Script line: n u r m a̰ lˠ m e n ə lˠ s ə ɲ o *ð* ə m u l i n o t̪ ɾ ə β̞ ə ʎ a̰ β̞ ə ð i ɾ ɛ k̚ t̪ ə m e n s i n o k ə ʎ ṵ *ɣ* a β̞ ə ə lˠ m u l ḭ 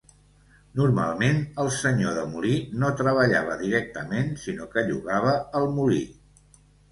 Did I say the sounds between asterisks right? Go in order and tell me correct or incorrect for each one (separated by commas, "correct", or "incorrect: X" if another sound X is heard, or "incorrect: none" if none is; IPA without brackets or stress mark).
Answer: correct, correct